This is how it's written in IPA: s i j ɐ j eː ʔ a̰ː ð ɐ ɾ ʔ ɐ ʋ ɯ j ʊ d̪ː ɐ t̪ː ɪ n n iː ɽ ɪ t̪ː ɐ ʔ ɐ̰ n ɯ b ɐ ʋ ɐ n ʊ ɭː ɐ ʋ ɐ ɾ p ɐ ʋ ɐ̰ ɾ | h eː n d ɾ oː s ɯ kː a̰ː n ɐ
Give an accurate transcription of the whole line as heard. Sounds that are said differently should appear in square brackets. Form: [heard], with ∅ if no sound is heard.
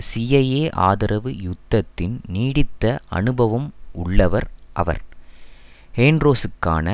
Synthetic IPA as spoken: s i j ɐ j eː ʔ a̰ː ð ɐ ɾ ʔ ɐ ʋ ɯ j ʊ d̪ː ɐ t̪ː ɪ n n iː ɽ ɪ t̪ː ɐ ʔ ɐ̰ n ɯ b ɐ ʋ ɐ [m] ʊ ɭː ɐ ʋ ɐ ɾ [ʔ] ɐ ʋ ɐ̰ ɾ | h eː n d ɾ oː s ɯ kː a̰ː n ɐ